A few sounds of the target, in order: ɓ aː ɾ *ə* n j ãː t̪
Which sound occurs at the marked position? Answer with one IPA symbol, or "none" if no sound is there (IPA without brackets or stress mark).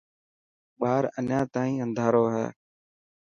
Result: ə